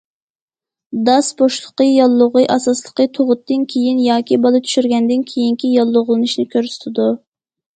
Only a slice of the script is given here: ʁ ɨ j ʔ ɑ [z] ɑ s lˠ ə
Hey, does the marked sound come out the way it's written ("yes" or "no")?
no